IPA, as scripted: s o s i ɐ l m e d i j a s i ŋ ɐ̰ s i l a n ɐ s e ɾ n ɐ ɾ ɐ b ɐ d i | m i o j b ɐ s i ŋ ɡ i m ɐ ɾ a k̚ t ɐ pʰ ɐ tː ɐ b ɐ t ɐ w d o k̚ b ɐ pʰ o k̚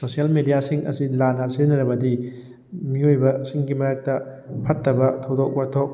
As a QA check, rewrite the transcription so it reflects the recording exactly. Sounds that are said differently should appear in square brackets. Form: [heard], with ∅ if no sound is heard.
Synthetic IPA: s o s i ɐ l m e d i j a s i ŋ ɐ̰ s i l a n ɐ s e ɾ n ɐ ɾ ɐ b ɐ d i | m i o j b ɐ s i ŋ ɡ i m ɐ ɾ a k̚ t ɐ pʰ ɐ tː ɐ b ɐ [tʰ] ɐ w d o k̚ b ɐ [tʰ] o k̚